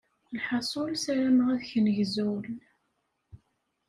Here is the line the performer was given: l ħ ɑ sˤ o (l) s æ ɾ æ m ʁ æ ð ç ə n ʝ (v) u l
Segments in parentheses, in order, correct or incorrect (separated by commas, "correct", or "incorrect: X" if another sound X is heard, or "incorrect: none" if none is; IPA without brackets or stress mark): correct, incorrect: z